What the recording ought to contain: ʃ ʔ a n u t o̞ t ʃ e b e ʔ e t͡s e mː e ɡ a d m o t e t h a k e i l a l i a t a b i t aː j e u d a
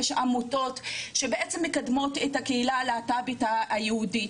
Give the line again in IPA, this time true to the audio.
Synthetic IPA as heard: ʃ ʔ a m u t o̞ t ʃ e b e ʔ e t͡s e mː e k a d m o t e t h a k e i l a l e a t a b i t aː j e u d i